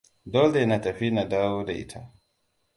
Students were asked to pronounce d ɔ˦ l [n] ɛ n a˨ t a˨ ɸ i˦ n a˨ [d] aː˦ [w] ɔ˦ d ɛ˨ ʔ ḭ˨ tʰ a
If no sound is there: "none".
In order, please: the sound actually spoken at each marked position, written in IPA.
d, d, w

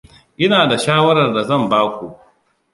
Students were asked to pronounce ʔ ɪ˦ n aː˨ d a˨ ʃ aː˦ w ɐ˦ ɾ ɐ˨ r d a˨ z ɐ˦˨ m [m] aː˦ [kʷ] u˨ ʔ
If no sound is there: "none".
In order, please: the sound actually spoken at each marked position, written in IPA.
b, kʷ

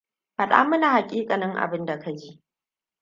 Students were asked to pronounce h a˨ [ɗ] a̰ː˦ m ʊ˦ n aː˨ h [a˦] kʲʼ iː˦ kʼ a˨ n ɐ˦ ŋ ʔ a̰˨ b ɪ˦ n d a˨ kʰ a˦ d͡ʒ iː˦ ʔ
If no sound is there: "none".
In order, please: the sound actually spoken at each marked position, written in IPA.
ɗ, a˨

